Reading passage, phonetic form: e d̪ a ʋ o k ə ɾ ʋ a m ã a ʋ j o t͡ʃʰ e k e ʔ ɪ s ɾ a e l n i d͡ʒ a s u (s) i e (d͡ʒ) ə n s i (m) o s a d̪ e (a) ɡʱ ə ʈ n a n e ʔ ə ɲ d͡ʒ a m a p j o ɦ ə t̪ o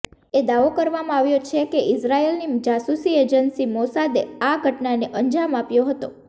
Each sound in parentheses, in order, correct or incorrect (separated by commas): correct, correct, correct, correct